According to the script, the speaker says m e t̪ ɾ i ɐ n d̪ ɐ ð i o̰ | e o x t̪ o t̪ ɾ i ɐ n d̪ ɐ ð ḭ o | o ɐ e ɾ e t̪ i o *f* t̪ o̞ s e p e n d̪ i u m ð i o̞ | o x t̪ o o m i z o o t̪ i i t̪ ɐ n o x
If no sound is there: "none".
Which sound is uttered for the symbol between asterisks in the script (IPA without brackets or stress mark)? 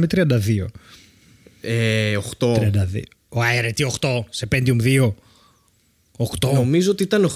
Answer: x